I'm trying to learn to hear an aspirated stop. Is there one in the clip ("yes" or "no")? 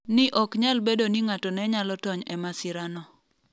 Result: no